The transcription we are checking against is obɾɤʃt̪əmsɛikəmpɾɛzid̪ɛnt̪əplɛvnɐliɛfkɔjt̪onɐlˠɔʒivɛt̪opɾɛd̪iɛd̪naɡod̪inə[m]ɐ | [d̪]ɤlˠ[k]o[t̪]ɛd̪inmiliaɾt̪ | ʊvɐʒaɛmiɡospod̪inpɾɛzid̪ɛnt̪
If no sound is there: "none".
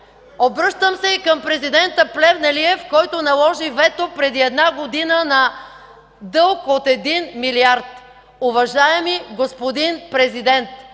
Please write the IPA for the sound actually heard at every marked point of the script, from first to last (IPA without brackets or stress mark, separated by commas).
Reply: n, d̪, k, t̪